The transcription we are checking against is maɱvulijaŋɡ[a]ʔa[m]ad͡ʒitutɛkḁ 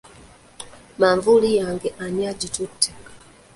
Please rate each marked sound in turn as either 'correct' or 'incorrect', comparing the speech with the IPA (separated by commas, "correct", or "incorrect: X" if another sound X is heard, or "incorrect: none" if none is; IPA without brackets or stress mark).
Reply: incorrect: ɛ, incorrect: ɲ